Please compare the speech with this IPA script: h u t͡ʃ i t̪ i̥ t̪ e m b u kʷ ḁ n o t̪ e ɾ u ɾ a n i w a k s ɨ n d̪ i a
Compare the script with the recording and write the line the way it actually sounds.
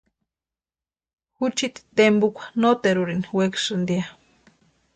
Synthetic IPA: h u t͡ʃ i t̪ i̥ t̪ e m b u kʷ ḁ n o t̪ e ɾ u ɾ i n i w e k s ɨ n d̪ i a